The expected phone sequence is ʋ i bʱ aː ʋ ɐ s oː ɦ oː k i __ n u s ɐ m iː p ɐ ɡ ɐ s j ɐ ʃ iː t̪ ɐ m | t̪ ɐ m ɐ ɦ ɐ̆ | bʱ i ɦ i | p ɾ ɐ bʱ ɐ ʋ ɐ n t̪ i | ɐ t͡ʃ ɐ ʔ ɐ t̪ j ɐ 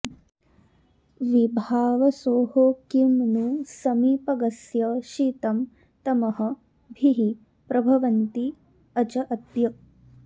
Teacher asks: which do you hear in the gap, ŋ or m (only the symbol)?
m